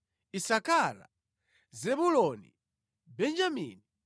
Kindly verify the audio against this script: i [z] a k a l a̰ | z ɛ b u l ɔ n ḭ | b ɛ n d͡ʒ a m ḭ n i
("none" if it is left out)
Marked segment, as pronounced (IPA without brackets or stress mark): s